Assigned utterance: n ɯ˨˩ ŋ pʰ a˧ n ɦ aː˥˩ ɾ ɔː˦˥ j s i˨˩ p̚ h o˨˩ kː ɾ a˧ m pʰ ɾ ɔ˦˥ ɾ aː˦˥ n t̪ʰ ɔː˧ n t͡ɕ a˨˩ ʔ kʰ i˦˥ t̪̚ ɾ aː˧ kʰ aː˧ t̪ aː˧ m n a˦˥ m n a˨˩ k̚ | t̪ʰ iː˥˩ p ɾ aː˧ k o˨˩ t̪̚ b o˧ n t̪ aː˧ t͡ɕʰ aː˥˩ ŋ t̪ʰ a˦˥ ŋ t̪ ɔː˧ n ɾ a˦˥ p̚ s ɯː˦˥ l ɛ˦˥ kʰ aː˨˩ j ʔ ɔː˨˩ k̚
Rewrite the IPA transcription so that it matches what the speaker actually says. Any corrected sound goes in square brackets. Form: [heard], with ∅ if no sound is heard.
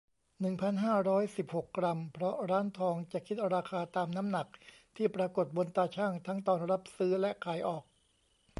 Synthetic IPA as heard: n ɯ˨˩ ŋ pʰ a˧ n ɦ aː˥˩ ɾ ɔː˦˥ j s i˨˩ p̚ h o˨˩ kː ɾ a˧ m pʰ ɾ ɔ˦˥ ɾ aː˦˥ n t̪ʰ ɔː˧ [ŋ] t͡ɕ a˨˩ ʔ kʰ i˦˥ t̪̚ ɾ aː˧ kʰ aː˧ t̪ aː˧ m n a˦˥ m n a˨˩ k̚ | t̪ʰ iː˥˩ p ɾ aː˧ k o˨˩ t̪̚ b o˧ n t̪ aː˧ t͡ɕʰ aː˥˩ ŋ t̪ʰ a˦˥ ŋ t̪ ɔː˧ n ɾ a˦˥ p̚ s ɯː˦˥ l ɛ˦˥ kʰ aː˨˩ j ʔ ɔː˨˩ k̚